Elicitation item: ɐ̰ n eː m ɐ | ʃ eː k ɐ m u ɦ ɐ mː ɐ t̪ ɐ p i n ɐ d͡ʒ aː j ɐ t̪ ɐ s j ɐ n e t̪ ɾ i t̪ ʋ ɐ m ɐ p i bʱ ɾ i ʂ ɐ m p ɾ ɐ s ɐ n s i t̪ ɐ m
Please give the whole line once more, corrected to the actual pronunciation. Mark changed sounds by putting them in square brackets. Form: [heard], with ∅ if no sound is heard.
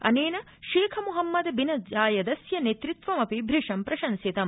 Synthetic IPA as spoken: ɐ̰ n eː [n] ɐ | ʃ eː [kʰ] ɐ m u ɦ ɐ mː ɐ [d̪] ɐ [b] i n ɐ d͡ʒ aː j ɐ [d̪] ɐ s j ɐ n e t̪ ɾ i t̪ ʋ ɐ m ɐ p i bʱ ɾ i ʂ ɐ m p ɾ ɐ [ʃ] ɐ n s i t̪ ɐ m